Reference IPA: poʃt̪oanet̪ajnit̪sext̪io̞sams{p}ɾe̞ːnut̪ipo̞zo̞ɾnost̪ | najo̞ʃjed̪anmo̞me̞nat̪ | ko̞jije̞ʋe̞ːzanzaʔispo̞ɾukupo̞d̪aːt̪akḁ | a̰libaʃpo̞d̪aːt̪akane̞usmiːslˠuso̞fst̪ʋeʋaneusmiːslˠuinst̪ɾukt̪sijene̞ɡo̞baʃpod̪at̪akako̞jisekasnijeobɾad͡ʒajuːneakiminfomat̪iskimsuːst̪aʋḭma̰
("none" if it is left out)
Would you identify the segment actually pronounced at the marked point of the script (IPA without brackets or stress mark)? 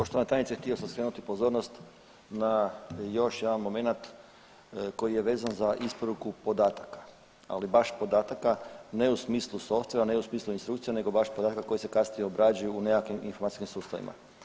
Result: k